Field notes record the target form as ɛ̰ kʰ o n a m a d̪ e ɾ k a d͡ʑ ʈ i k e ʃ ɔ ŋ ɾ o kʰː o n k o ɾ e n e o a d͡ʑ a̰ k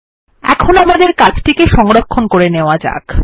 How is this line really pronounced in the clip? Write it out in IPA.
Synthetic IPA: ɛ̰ kʰ o n a m a d̪ e ɾ k a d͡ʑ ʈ i k e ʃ ɔ ŋ ɾ o kʰː o n k o ɾ e n e o a d͡ʑ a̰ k